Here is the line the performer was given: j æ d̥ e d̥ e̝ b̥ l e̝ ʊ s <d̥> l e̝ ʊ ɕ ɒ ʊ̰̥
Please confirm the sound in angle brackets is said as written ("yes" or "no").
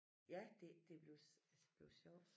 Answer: no